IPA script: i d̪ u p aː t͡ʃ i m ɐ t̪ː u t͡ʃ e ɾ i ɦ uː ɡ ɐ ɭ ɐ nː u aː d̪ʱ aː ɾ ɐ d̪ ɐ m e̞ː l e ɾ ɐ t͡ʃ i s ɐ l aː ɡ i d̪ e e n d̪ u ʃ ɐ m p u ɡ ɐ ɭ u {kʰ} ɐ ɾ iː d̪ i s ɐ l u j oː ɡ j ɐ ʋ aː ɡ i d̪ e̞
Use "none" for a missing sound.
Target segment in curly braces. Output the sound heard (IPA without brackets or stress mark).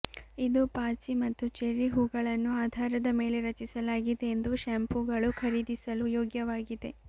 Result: kʰ